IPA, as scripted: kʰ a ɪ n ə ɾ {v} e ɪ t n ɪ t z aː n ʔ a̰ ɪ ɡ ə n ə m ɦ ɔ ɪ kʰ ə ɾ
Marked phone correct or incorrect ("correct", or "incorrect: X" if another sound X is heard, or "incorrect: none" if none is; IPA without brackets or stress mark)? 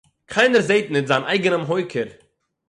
incorrect: z